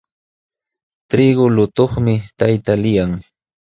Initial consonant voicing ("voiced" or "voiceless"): voiceless